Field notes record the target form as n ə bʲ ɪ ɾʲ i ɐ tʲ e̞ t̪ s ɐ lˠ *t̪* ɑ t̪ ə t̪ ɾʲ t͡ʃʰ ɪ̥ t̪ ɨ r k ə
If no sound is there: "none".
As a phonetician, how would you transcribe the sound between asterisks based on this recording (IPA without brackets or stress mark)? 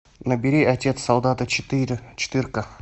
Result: d̪